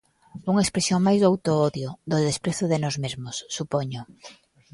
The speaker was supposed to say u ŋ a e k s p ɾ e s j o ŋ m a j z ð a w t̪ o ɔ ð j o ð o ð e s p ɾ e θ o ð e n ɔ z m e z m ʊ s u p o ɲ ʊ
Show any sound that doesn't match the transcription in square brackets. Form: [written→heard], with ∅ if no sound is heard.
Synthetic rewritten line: u ŋ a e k s p ɾ e s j o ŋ m a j z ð a w t̪ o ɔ ð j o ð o ð e s p ɾ e θ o ð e n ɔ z m e z m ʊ [s→sː] u p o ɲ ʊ